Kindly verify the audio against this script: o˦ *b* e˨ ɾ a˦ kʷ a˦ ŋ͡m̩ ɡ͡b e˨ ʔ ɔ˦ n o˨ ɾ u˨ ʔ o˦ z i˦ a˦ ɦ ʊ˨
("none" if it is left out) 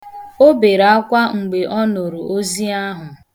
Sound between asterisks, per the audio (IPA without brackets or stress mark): b